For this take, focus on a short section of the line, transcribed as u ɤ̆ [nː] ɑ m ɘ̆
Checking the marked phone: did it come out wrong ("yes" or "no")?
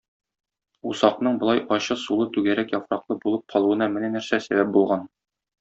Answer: yes